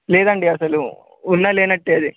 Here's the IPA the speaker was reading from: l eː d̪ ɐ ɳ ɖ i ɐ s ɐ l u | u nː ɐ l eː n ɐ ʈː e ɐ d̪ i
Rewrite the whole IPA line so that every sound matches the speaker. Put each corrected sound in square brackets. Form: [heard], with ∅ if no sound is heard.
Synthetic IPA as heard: l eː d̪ ɐ ɳ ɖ i ɐ s ɐ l u | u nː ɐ l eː n ɐ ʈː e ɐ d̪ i